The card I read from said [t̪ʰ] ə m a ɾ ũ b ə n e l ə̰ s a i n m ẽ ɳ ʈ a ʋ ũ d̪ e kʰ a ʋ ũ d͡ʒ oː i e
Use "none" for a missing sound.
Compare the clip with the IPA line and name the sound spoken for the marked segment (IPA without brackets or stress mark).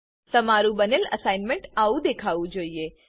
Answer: t̪